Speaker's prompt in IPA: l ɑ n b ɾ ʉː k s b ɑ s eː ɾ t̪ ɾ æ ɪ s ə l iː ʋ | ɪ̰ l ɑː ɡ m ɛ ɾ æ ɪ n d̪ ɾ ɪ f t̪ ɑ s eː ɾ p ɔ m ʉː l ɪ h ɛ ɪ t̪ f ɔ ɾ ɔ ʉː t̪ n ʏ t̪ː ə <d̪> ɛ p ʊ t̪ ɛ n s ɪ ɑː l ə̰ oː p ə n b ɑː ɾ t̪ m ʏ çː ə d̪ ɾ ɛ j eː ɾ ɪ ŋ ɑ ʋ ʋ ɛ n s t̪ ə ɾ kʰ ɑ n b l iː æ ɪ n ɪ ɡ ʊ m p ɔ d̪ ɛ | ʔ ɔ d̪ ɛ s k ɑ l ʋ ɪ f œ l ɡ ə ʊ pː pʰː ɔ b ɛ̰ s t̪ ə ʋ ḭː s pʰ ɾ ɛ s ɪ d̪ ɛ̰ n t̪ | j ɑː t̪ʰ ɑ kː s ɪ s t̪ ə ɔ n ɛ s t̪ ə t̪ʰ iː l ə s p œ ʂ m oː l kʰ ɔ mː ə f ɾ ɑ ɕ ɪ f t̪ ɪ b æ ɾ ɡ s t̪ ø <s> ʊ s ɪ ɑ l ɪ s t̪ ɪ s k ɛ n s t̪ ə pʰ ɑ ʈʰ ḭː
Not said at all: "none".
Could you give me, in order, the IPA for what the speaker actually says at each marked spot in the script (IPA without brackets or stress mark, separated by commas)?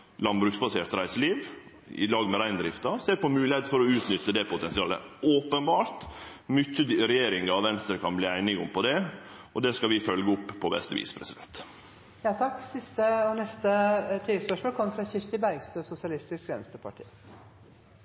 d̪, s